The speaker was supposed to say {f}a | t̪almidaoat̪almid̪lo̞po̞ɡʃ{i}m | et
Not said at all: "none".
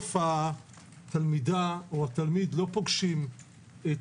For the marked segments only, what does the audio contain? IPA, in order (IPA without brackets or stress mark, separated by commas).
f, i